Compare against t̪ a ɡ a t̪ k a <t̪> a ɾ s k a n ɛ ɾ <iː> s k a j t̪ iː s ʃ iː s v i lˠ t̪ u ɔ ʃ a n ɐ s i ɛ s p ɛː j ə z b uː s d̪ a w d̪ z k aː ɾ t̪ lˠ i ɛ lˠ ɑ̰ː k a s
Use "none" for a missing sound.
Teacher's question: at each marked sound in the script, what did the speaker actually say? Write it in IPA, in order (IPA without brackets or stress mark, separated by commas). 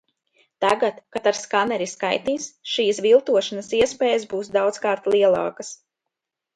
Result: t̪, i